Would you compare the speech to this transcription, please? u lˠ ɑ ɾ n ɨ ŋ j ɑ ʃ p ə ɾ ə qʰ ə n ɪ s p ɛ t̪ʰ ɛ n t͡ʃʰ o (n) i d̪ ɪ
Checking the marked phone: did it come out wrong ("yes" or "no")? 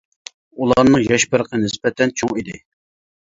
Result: yes